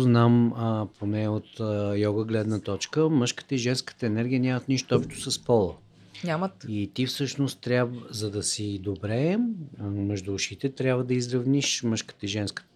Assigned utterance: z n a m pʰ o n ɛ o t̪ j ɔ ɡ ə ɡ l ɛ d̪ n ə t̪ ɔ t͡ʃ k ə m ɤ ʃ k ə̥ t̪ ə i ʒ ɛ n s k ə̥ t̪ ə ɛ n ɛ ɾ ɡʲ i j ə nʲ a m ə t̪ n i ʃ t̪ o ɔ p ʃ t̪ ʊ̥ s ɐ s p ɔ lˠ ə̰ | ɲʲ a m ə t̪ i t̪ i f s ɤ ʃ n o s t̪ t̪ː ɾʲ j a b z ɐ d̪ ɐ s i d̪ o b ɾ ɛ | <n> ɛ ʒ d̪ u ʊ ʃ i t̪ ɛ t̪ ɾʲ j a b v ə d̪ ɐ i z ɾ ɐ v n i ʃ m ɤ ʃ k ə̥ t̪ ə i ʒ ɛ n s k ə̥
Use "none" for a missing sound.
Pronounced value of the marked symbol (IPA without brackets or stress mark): m